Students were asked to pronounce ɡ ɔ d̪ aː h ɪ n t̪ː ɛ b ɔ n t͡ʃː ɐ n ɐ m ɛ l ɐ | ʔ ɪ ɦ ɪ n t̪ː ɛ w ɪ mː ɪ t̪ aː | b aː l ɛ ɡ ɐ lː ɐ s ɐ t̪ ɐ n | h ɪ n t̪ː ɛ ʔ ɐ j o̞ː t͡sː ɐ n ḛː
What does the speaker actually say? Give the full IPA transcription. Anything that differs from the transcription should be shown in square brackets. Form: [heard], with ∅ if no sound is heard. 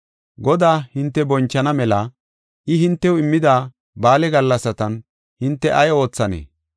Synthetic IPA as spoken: ɡ ɔ d̪ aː h ɪ n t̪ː ɛ b ɔ n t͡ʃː ɐ n ɐ m ɛ l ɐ | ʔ ɪ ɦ ɪ n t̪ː ɛ w ɪ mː ɪ [d̪] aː | b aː l ɛ ɡ ɐ lː ɐ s ɐ t̪ ɐ n | h ɪ n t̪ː ɛ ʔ ɐ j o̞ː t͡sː ɐ n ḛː